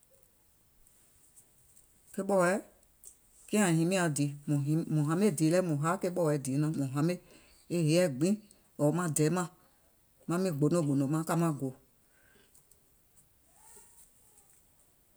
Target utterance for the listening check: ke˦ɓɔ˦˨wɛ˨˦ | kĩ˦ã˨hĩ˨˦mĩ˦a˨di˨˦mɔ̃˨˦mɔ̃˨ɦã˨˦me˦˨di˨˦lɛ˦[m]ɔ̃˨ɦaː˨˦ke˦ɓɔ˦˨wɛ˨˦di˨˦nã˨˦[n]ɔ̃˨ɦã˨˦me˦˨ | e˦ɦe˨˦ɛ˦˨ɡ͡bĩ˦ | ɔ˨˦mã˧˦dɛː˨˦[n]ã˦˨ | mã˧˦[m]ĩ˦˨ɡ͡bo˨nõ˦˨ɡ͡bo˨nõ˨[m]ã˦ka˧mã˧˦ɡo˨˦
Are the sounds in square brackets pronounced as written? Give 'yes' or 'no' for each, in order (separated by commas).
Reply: yes, no, no, yes, yes